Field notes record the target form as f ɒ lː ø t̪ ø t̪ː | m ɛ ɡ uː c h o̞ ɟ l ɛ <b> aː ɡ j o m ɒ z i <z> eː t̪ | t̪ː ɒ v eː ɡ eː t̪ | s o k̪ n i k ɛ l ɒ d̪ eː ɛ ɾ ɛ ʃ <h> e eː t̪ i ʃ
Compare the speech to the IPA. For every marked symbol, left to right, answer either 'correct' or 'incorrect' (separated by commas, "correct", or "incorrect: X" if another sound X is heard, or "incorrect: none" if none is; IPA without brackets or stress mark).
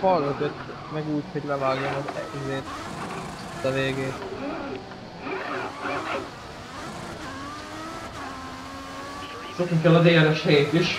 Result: incorrect: v, correct, correct